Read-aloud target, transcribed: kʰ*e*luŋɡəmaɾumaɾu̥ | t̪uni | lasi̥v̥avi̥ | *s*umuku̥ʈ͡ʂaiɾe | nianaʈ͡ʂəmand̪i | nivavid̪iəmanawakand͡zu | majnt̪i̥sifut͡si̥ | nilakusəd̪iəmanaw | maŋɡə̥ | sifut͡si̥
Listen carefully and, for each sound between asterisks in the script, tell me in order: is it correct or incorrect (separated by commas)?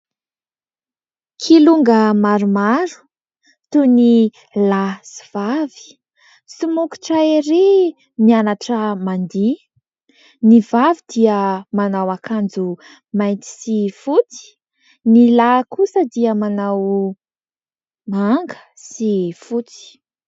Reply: incorrect, correct